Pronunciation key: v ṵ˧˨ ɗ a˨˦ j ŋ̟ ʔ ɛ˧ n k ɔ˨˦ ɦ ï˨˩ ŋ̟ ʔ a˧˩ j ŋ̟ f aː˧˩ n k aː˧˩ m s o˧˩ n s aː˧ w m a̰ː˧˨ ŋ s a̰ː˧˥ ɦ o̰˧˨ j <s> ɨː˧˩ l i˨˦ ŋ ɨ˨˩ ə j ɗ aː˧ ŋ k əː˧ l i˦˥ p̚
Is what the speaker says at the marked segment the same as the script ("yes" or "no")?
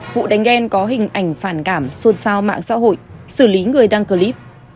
yes